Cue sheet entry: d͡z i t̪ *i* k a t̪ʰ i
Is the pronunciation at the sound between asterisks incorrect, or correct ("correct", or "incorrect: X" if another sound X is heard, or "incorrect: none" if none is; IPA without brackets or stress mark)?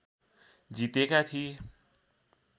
incorrect: e